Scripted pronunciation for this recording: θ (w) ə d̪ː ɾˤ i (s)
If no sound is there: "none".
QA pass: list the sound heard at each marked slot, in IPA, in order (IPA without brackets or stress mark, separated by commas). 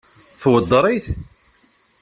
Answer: w, θ